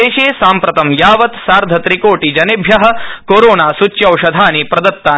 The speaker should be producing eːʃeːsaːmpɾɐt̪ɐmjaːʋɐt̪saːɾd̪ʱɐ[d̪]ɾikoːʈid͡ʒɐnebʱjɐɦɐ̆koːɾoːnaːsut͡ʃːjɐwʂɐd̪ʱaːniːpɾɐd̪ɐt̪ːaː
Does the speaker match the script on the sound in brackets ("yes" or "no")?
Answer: no